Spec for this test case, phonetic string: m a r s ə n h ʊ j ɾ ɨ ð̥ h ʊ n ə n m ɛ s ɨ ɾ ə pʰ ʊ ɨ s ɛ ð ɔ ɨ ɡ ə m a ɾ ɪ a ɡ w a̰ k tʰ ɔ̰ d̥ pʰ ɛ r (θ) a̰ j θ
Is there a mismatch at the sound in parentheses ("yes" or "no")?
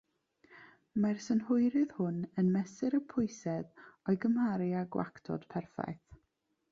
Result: yes